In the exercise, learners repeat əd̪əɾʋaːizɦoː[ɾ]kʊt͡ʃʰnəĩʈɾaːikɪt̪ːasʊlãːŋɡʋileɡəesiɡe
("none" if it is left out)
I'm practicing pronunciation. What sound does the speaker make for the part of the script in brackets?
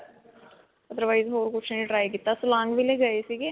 ɾ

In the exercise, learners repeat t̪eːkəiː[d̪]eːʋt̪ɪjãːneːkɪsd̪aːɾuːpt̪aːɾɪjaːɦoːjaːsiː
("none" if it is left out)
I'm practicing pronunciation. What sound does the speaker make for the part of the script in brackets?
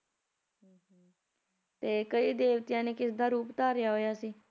d̪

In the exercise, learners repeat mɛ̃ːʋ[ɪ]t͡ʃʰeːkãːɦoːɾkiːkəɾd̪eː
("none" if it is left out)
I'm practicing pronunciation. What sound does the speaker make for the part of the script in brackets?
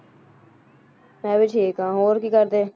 ɪ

